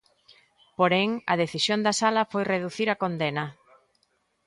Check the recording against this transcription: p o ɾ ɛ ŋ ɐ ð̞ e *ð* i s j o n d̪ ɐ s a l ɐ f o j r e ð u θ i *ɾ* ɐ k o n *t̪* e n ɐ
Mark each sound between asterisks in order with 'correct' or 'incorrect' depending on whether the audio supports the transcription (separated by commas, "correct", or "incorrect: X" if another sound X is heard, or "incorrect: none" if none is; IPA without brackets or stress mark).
incorrect: θ, correct, incorrect: d̪